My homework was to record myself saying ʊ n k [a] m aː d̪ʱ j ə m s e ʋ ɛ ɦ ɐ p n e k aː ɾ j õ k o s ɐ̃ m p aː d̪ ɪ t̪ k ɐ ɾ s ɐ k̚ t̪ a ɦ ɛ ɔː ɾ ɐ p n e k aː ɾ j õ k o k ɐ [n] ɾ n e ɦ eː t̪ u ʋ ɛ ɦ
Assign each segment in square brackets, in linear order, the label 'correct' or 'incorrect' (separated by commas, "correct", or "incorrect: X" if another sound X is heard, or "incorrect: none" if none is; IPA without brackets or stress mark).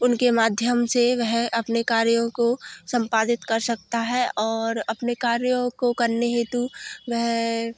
incorrect: e, incorrect: none